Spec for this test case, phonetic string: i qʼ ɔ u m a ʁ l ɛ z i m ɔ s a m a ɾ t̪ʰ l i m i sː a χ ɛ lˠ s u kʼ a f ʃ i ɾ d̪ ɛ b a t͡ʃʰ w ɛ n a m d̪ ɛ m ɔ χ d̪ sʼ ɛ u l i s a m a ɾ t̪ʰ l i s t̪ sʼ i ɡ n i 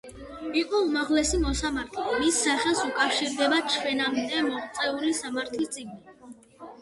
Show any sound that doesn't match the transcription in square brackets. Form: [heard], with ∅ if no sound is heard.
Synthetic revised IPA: i qʼ ɔ u m a ʁ l ɛ [s] i m ɔ s a m a ɾ t̪ʰ l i m i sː a χ ɛ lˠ s u kʼ a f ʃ i ɾ d̪ ɛ b a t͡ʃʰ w ɛ n a m d̪ ɛ m ɔ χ [t̪] sʼ ɛ u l i s a m a ɾ t̪ʰ l i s t̪ sʼ i ɡ n i